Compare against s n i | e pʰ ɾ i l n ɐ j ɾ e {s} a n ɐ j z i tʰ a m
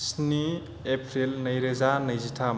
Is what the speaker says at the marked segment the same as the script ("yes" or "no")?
no